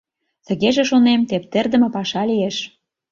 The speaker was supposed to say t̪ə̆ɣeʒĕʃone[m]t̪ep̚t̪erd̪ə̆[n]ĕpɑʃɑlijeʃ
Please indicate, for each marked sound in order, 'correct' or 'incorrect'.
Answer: correct, incorrect: m

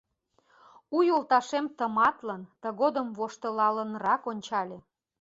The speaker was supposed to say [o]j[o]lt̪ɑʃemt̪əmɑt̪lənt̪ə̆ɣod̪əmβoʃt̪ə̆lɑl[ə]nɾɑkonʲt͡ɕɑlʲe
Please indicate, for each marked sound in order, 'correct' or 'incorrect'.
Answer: incorrect: u, correct, correct

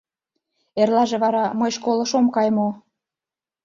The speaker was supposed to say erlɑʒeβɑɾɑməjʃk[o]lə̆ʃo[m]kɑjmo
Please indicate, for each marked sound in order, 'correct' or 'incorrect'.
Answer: correct, correct

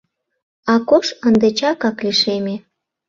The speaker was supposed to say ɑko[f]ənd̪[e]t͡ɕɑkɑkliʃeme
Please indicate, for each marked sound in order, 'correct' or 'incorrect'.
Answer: incorrect: ʃ, correct

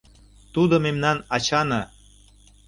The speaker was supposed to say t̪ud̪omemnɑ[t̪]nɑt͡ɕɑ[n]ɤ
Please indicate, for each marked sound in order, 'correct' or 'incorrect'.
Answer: incorrect: none, correct

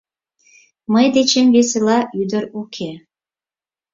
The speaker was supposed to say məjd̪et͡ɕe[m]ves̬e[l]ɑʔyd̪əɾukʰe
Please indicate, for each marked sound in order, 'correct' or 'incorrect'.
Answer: correct, correct

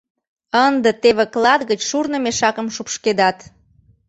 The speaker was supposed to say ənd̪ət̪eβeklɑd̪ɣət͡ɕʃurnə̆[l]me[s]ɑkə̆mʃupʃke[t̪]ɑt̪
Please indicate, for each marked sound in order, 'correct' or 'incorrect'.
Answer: incorrect: none, incorrect: ʃ, incorrect: d̪

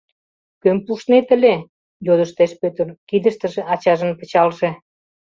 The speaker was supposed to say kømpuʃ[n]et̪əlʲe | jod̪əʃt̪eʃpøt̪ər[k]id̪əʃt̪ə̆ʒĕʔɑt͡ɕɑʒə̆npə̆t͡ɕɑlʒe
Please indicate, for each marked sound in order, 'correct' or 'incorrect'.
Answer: correct, correct

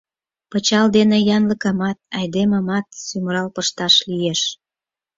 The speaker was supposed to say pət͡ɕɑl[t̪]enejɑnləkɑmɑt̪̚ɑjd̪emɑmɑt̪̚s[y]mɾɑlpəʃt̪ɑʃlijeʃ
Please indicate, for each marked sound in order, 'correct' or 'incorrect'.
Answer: incorrect: d̪, correct

